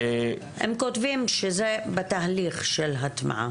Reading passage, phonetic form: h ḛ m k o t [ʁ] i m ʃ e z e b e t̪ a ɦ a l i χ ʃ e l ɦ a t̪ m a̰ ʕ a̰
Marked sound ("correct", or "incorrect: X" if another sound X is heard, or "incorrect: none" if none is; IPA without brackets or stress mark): incorrect: v